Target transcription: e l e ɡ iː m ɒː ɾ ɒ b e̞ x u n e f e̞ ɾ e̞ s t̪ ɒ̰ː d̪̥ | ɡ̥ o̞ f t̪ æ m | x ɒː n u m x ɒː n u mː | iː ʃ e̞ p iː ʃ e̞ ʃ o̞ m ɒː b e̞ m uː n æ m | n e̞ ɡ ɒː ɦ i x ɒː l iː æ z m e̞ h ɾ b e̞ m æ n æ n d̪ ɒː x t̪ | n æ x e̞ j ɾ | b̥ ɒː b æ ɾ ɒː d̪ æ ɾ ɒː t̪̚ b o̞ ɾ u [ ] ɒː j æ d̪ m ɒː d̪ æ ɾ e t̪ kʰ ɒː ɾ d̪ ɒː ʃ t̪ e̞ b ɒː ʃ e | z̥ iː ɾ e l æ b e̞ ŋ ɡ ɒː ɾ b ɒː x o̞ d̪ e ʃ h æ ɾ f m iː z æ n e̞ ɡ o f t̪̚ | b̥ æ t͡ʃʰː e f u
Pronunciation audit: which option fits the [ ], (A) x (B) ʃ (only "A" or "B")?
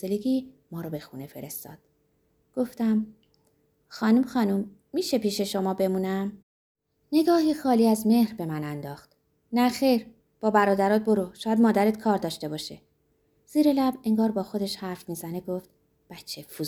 B